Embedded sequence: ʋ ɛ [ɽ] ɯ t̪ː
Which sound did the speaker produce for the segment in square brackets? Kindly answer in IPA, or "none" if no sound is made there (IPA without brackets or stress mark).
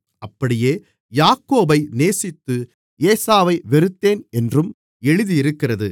ɾ